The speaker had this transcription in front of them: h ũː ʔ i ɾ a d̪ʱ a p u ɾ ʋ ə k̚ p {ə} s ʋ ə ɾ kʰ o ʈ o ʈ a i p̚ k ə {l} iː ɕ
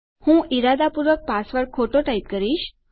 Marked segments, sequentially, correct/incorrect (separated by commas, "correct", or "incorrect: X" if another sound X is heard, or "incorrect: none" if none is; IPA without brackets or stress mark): incorrect: a, incorrect: ɾ